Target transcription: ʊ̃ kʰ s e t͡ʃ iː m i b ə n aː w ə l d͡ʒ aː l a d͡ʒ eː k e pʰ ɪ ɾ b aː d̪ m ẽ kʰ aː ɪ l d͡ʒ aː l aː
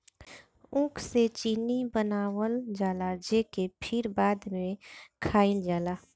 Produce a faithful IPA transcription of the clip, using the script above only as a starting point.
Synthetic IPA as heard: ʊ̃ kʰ s e t͡ʃ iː n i b ə n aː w ə l d͡ʒ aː l a d͡ʒ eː k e pʰ ɪ ɾ b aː d̪ m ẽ kʰ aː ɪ l d͡ʒ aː l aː